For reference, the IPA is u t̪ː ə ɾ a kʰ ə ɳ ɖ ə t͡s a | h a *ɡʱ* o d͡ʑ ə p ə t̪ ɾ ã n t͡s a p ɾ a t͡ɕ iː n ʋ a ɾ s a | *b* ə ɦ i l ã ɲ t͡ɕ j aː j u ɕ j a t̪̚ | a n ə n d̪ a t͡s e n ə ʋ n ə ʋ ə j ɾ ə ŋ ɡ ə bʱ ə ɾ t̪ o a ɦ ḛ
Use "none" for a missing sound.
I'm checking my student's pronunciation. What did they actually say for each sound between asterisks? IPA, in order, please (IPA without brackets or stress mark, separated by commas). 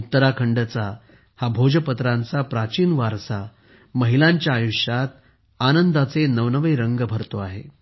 bʱ, m